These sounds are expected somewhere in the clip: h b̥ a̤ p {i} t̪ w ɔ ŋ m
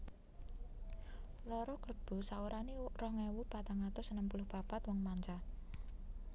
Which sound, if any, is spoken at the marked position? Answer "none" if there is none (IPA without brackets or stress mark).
a